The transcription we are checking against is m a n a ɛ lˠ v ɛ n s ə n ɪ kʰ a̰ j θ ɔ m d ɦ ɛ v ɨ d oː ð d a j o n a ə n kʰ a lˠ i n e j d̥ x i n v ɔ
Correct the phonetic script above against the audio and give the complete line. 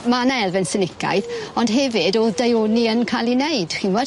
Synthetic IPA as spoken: m a n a ɛ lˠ v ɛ n s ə n ɪ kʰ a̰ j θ ɔ n d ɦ ɛ v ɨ d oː ð d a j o n i ə n kʰ a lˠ i n e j d̥ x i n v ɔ